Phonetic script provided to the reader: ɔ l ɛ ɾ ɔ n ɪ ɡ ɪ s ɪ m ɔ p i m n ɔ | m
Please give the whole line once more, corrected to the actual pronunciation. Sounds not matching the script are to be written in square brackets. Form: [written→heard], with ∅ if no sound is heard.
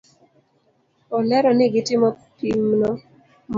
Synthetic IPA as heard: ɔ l ɛ ɾ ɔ n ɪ ɡ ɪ [s→t] ɪ m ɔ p i m n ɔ | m